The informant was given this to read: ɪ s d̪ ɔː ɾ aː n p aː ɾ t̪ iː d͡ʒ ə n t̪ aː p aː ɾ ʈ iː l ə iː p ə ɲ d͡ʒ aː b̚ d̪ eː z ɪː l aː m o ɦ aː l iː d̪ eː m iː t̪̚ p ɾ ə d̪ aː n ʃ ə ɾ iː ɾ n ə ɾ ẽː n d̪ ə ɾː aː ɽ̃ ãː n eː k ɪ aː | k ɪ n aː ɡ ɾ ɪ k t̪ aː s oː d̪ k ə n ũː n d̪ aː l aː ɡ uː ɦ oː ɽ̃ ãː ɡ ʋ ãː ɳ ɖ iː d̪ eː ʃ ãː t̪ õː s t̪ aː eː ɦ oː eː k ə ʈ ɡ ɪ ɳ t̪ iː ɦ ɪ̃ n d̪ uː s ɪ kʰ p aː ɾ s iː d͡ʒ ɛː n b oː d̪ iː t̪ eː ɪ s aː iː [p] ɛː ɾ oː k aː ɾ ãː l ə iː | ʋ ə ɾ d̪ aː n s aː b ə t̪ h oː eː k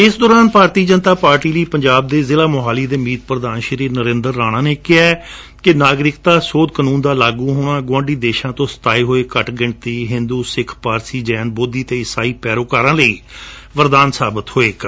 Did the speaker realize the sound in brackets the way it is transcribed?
yes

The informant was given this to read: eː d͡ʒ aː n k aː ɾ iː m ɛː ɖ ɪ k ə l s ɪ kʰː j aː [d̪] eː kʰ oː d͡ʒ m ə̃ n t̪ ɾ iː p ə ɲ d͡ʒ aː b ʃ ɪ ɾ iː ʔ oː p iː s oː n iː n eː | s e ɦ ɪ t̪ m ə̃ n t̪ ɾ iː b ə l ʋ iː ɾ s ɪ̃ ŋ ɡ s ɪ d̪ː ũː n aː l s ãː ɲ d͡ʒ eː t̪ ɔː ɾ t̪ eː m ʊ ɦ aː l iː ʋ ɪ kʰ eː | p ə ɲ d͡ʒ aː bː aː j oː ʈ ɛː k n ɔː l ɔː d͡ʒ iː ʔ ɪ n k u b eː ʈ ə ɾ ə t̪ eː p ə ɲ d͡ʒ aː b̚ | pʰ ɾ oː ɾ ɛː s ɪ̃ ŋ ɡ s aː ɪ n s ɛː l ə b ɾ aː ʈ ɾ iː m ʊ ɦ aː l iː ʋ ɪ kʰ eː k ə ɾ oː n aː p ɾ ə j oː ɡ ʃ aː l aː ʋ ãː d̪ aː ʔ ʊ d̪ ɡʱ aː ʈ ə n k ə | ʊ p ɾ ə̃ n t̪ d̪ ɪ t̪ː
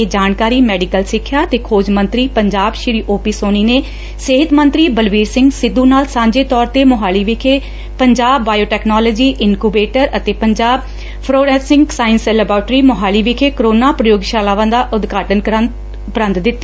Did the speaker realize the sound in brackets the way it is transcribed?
no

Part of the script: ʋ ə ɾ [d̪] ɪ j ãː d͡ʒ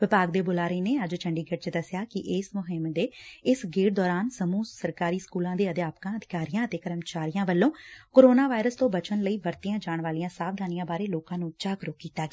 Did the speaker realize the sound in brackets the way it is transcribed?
no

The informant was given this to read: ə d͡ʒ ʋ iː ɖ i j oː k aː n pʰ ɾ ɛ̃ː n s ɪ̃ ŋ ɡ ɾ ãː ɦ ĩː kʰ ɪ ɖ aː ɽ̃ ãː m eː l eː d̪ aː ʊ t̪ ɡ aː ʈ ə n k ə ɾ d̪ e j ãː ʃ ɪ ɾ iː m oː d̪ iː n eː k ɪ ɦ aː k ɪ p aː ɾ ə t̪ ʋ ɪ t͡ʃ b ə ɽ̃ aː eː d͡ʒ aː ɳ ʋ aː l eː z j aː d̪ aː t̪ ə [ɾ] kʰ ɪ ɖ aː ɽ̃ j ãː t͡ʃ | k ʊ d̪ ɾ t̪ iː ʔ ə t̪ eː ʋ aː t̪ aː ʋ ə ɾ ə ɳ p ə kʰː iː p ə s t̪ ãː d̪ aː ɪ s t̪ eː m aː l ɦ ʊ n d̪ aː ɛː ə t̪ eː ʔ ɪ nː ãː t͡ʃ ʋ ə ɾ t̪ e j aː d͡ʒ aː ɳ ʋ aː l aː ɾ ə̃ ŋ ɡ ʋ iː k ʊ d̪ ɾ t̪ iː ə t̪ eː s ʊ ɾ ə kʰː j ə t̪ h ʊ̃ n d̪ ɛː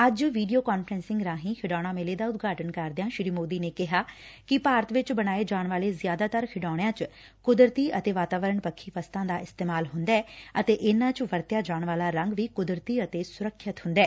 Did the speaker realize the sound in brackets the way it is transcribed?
yes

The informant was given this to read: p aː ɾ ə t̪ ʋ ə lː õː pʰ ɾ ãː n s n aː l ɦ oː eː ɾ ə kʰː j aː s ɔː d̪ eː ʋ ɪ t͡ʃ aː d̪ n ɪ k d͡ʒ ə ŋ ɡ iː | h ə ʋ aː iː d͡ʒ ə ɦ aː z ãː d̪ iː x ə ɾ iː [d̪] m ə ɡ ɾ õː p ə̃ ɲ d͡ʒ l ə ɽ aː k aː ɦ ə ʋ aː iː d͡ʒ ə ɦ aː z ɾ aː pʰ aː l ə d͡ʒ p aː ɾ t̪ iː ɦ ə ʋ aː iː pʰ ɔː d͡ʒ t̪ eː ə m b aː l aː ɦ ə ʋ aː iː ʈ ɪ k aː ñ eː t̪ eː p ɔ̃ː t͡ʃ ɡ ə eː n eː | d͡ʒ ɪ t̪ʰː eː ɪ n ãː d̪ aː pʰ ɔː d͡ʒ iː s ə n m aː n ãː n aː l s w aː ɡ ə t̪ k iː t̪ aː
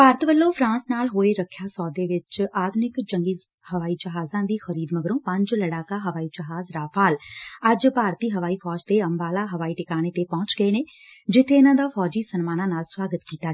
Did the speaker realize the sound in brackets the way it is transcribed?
yes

